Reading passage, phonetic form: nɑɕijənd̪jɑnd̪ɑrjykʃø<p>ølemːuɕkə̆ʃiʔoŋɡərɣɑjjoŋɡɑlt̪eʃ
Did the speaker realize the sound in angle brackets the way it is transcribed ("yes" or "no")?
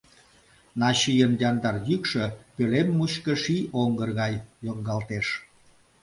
yes